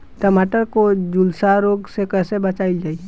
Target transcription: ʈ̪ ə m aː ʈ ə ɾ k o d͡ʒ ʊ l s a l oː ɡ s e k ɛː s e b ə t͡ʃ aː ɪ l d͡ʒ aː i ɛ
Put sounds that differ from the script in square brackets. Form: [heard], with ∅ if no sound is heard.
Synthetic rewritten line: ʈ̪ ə m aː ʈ ə ɾ k o d͡ʒ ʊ l s a [ɾ] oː ɡ s e k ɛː s e b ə t͡ʃ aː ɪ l d͡ʒ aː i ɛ

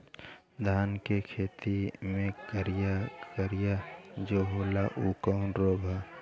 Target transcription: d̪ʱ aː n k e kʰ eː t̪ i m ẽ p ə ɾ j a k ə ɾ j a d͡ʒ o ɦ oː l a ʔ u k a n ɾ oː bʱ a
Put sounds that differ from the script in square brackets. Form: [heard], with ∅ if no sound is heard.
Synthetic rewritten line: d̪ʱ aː n k e kʰ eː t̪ i m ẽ [k] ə ɾ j a k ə ɾ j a d͡ʒ o ɦ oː l a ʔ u k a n ɾ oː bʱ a

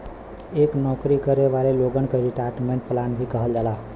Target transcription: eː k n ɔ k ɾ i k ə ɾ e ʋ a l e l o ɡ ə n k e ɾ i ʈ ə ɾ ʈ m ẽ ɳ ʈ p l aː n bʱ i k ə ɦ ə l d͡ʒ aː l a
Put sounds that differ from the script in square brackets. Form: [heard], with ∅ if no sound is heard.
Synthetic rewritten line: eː k n ɔ k ɾ i k ə ɾ e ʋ a l e l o ɡ ə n k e ɾ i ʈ [a] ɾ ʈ m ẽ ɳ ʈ p l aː n bʱ i k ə ɦ ə l d͡ʒ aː l a

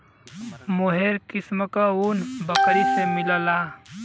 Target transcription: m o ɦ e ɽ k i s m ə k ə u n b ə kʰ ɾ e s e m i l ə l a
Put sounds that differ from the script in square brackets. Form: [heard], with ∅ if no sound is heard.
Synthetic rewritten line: m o ɦ e [ɾ] k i s m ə k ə u n b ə [k] ɾ [i] s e m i l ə l a

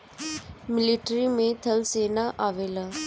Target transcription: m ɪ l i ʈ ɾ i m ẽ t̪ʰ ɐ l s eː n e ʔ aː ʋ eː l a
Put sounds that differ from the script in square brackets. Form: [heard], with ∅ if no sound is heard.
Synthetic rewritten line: m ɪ l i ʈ ɾ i m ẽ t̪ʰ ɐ l s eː n [a] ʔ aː ʋ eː l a

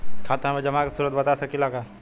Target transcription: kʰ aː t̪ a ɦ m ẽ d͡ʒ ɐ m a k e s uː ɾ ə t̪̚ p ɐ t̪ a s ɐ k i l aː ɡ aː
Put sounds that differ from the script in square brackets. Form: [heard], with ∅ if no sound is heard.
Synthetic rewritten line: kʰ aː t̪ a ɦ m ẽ d͡ʒ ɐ m a k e s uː ɾ ə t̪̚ [b] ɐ t̪ a s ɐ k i l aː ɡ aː

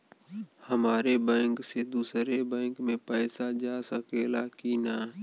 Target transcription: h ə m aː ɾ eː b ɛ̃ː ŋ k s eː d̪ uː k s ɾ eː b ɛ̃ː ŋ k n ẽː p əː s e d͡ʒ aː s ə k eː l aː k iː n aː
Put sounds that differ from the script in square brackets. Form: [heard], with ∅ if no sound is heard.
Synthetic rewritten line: h ə m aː ɾ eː b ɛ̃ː ŋ k s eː d̪ uː [∅] s ɾ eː b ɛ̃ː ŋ k [m] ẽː p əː s [a] d͡ʒ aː s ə k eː l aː k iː n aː

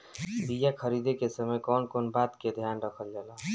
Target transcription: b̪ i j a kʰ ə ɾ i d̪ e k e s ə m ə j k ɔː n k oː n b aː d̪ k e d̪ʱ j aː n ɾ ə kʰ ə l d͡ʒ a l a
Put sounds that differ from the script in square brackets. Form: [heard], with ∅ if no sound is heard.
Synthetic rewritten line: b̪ i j a kʰ ə ɾ i d̪ e k e s ə m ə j k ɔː n k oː n b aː [t̪] k e d̪ʱ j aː n ɾ ə kʰ ə l d͡ʒ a l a

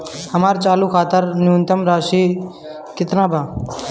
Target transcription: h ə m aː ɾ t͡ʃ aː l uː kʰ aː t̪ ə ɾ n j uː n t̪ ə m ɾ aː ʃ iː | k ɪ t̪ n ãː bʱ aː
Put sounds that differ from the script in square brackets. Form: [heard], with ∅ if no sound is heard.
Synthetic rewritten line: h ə m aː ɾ t͡ʃ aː l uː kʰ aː t̪ ə ɾ n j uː n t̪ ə m ɾ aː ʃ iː | k ɪ t̪ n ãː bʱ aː

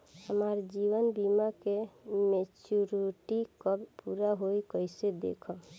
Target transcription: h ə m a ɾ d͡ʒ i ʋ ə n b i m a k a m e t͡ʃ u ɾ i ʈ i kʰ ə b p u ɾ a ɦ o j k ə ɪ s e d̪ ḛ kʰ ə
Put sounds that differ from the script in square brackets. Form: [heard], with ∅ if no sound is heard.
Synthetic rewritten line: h ə m a ɾ d͡ʒ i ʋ ə n b i m a k [e] m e t͡ʃ u ɾ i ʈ i [k] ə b p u ɾ a ɦ o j k ə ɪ s e d̪ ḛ kʰ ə

